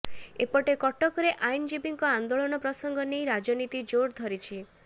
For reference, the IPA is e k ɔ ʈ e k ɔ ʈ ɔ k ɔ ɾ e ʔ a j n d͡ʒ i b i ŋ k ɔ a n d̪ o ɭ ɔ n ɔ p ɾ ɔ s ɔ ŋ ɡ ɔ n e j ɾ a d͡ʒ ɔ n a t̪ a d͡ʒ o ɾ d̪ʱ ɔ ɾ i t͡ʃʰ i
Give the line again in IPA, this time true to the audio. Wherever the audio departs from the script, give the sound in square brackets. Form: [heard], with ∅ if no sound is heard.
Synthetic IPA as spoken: e [p] ɔ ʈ e k ɔ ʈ ɔ k ɔ ɾ e ʔ a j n d͡ʒ i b i ŋ k ɔ a n d̪ o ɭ ɔ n ɔ p ɾ ɔ s ɔ ŋ ɡ ɔ n e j ɾ a d͡ʒ ɔ n [i] t̪ [i] d͡ʒ o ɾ d̪ʱ ɔ ɾ i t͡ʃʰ i